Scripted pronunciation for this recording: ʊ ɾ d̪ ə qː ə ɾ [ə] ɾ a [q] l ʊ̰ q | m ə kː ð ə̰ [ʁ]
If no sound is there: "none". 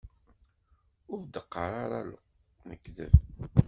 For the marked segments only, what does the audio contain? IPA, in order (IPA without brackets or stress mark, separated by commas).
a, none, v